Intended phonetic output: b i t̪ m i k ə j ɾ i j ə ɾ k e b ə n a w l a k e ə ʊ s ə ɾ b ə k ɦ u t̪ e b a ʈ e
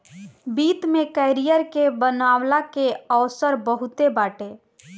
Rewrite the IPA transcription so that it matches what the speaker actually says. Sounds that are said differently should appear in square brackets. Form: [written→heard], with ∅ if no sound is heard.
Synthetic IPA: b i t̪ m [i→e] k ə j ɾ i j ə ɾ k e b ə n a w l a k e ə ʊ s ə ɾ b ə [k→∅] ɦ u t̪ e b a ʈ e